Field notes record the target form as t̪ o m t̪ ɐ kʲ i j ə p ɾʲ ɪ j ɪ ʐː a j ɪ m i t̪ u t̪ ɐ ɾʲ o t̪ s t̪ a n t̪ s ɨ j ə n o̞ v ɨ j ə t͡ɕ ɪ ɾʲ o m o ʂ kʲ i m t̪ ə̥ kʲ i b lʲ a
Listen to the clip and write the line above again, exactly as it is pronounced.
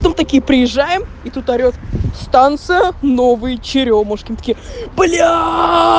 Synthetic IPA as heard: t̪ o m t̪ ɐ kʲ i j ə p ɾʲ ɪ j ɪ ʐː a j ɪ m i t̪ u t̪ ɐ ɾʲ o t̪ s t̪ a n t̪ s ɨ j ə n o̞ v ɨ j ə t͡ɕ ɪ ɾʲ o m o ʂ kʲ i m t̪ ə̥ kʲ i b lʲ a